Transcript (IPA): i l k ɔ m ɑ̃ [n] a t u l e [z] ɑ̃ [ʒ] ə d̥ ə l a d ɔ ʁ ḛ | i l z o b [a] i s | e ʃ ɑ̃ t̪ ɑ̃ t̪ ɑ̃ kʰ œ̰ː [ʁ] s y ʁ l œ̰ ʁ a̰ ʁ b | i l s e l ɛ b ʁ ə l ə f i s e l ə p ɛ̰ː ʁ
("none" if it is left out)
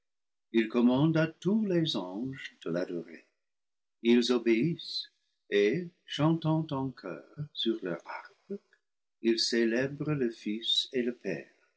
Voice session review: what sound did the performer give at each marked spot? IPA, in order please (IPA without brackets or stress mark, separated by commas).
d, z, ʒ, e, ʁ